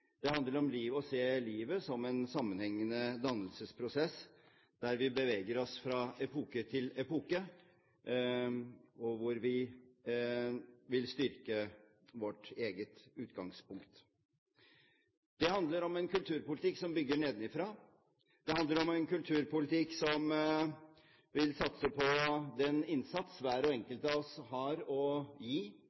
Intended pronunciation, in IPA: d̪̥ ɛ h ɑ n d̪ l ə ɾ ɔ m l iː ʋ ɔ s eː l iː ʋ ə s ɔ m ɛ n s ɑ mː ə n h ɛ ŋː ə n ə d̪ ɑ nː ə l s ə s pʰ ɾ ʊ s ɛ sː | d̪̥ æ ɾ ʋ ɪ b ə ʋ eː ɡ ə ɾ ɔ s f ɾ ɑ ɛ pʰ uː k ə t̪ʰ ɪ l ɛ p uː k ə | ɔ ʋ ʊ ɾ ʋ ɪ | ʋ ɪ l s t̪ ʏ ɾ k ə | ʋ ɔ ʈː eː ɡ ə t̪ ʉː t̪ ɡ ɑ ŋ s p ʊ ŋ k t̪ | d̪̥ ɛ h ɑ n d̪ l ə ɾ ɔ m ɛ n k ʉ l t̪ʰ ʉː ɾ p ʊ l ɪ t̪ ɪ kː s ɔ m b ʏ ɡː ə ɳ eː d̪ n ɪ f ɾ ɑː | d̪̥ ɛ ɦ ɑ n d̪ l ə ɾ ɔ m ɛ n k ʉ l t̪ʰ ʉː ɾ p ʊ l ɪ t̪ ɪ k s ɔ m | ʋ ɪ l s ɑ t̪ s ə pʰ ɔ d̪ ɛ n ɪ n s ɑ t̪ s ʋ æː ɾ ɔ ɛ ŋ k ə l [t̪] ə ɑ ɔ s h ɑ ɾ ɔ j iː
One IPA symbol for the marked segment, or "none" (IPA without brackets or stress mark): t̪